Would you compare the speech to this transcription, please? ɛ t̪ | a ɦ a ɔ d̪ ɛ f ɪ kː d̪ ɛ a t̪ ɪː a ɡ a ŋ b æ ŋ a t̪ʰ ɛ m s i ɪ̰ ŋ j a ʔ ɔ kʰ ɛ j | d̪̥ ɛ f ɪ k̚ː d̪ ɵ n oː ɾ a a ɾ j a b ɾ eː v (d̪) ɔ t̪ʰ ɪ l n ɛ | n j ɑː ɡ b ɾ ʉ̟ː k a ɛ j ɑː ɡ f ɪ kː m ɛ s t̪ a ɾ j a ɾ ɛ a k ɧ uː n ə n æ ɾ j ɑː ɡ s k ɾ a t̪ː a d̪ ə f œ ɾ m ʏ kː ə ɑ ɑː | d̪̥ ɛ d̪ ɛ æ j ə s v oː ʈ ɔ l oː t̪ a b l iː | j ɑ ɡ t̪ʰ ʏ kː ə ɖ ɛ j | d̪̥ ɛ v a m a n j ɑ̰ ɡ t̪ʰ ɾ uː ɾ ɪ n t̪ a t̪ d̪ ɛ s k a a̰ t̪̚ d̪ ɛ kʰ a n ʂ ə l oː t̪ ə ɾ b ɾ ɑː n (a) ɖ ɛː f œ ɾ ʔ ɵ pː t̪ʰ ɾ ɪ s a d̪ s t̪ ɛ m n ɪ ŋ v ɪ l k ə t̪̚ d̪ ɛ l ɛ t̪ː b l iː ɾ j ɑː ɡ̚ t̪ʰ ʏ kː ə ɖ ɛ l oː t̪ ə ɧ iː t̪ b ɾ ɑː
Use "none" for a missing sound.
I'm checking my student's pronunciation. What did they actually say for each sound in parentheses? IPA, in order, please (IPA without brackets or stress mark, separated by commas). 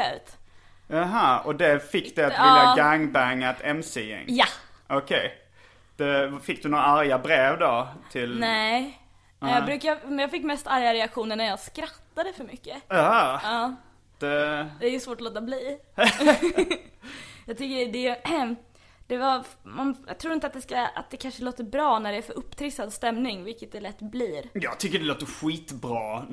d̪, æ